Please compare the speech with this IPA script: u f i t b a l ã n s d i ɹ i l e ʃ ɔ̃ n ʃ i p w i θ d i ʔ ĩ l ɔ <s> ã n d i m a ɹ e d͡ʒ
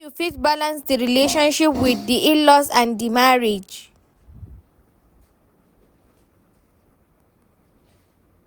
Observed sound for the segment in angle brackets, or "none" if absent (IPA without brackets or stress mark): s